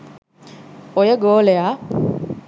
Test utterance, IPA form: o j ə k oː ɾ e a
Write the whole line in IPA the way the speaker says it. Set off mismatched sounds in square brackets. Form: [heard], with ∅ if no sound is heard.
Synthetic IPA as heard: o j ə [ɡ] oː [l] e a